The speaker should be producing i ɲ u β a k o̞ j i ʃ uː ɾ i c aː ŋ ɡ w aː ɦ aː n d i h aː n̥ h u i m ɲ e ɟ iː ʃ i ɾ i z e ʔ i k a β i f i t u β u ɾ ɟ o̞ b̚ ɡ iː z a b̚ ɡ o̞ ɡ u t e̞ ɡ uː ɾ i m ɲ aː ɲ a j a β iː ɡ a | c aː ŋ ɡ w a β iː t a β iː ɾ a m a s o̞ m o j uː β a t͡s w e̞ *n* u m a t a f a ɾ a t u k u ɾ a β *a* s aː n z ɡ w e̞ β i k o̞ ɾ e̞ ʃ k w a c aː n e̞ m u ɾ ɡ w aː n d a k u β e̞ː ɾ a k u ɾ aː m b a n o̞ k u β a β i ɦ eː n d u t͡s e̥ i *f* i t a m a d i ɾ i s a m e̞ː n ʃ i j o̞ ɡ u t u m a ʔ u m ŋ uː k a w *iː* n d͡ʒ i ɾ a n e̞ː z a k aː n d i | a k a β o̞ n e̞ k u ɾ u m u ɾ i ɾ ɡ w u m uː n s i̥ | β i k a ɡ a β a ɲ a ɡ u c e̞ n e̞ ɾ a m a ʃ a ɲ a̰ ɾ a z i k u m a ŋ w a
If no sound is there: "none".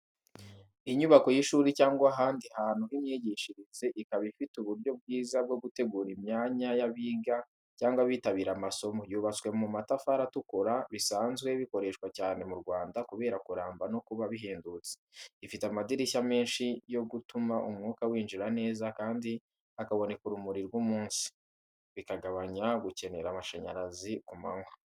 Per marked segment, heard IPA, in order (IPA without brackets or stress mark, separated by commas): m, i, f, iː